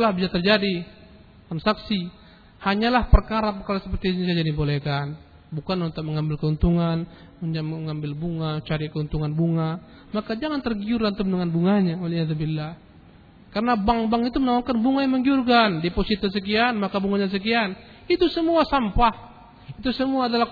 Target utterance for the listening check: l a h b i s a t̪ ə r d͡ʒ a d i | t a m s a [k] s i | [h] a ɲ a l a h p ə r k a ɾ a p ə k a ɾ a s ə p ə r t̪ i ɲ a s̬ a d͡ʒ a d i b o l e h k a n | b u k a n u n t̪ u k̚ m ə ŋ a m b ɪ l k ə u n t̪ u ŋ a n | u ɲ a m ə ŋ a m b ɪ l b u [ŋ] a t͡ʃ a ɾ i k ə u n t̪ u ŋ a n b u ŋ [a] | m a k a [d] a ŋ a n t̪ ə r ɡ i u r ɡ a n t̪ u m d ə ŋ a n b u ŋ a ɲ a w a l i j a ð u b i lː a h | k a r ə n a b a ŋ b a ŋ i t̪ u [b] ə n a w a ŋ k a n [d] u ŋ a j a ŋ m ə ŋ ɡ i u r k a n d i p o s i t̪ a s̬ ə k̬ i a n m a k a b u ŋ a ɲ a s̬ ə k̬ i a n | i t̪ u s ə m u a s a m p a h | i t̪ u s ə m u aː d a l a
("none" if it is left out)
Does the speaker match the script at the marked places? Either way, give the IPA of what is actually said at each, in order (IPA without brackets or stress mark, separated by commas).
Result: k, h, ŋ, a, d͡ʒ, m, b